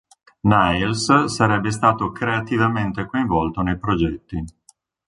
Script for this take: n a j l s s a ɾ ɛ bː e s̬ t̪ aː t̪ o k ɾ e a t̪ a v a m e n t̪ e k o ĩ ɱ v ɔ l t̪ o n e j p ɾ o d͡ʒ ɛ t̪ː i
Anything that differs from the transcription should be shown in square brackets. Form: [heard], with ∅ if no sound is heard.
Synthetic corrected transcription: n a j l s s a ɾ ɛ bː e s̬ t̪ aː t̪ o k ɾ e a t̪ [i] v a m e n t̪ e k o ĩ ɱ v ɔ l t̪ o n e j p ɾ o d͡ʒ ɛ t̪ː i

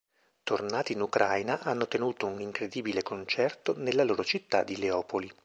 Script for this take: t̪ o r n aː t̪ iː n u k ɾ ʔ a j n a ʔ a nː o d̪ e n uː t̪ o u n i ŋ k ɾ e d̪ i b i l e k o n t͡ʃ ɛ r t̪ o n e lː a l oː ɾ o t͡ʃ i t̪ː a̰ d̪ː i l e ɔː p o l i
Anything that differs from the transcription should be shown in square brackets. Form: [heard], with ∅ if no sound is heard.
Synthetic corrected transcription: t̪ o r n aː t̪ iː n u k ɾ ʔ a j n a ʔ a nː o [t̪] e n uː t̪ o u n i ŋ k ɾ e d̪ [iː] b i l e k o n t͡ʃ ɛ r t̪ o n e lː a l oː ɾ o t͡ʃ i t̪ː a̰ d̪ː i l e ɔː p o l i

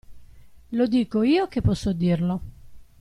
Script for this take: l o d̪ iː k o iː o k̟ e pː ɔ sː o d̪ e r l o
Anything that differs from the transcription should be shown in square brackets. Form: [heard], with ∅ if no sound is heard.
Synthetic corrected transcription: l o d̪ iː k o iː o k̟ e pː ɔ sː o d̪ [i] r l o

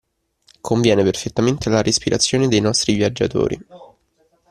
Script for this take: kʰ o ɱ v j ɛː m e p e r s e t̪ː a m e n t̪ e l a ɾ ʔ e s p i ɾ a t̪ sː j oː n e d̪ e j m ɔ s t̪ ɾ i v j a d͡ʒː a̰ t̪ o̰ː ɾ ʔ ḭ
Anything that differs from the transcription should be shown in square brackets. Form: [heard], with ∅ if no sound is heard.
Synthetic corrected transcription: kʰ o ɱ v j ɛː [n] e p e r [f] e t̪ː a m e n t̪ e l a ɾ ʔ e s p i ɾ a t̪ sː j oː n e d̪ e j [n] ɔ s t̪ ɾ i v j a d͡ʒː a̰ t̪ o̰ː ɾ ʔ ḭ

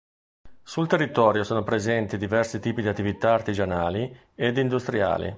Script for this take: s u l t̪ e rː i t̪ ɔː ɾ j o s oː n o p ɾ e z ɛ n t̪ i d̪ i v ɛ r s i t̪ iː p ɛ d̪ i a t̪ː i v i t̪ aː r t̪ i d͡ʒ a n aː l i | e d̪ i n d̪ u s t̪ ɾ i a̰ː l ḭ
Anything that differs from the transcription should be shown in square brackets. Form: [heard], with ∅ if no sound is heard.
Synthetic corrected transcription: s u l t̪ e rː i t̪ ɔː ɾ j o s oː n o p ɾ e z ɛ n t̪ i d̪ i v ɛ r s i t̪ iː p [i] d̪ i a t̪ː i v i t̪ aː r t̪ i d͡ʒ a n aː l i | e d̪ i n d̪ u s t̪ ɾ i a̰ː l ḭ

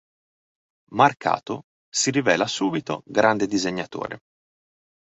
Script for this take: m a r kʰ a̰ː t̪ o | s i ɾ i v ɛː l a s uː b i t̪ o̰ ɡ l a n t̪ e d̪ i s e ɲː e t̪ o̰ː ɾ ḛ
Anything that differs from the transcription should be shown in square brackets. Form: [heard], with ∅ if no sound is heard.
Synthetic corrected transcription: m a r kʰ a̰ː t̪ o | s i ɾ i v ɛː l a s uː b i t̪ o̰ ɡ [ɾ] a n [d̪] e d̪ i [z] e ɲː [a] t̪ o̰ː ɾ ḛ

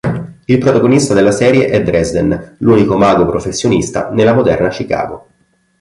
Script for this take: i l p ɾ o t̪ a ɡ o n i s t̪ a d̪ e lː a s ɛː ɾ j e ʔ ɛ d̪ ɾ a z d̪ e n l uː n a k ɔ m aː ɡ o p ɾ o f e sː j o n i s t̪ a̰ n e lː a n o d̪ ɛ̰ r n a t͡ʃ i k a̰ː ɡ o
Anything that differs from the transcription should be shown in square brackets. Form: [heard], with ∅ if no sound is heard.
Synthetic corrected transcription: i l p ɾ o t̪ a ɡ o n i s t̪ a d̪ e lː a s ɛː ɾ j e ʔ ɛ d̪ ɾ [ɛ] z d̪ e n l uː n [i] k [o] m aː ɡ o p ɾ o f e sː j o n i s t̪ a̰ n e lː a [m] o d̪ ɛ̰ r n a t͡ʃ i k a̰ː ɡ o

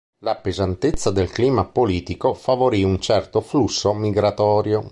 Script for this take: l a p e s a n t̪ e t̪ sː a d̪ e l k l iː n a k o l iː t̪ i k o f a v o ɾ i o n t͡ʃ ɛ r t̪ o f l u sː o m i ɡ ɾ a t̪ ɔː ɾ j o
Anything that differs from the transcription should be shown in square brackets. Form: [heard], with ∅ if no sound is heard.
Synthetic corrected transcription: l a p e [z] a n t̪ e t̪ sː a d̪ e l k l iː [m] a [p] o l iː t̪ i k o f a v o ɾ i [u] n t͡ʃ ɛ r t̪ o f l u sː o m i ɡ ɾ a t̪ ɔː ɾ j o

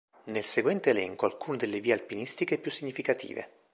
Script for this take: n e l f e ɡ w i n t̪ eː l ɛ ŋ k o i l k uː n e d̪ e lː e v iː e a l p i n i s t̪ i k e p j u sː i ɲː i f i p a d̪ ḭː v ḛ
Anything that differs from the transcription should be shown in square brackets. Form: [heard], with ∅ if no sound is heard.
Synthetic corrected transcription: n e l [s] e ɡ w [ɛ] n t̪ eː l ɛ ŋ k o [a] l k uː n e d̪ e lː e v iː e a l p i n i s t̪ i k e p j u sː i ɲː i f i [k] a [t̪] ḭː v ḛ

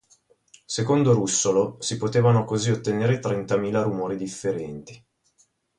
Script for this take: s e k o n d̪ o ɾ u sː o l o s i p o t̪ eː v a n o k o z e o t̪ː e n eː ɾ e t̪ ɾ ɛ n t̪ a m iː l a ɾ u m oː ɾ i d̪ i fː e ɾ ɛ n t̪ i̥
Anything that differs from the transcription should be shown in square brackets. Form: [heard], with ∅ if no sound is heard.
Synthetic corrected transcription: s e k o n d̪ o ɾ u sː o l o s i p o t̪ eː v a n o k o z [i] o t̪ː e n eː ɾ e t̪ ɾ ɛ n t̪ a m iː l a ɾ u m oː ɾ i d̪ i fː e ɾ ɛ n t̪ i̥

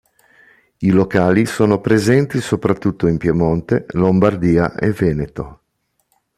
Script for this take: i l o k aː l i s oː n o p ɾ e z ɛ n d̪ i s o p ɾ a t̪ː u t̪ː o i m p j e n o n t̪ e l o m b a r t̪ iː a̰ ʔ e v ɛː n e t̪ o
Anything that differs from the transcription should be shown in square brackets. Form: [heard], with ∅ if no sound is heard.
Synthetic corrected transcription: i l o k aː l i s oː n o p ɾ e z ɛ n [t̪] i s o p ɾ a t̪ː u t̪ː o i m p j e [m] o n t̪ e l o m b a r [d̪] iː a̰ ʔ e v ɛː n e t̪ o

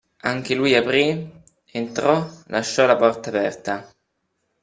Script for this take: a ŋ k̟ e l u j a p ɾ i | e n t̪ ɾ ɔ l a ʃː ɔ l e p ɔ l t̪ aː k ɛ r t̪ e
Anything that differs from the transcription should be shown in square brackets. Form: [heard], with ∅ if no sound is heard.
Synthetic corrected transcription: a ŋ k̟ e l u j a p ɾ i | e n t̪ ɾ ɔ l a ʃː ɔ l [a] p ɔ [r] t̪ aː [p] ɛ r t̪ [a]

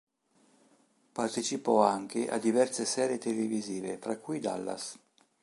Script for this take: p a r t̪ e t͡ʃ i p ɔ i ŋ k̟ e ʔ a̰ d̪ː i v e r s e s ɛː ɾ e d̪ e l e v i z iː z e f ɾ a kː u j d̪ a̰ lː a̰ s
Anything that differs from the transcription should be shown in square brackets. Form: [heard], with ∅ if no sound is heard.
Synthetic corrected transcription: p a r t̪ e t͡ʃ i p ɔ [a] ŋ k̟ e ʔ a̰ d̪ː i v [ɛ] r s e s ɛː ɾ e [t̪] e l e v i z iː [v] e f ɾ a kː u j d̪ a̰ lː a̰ s

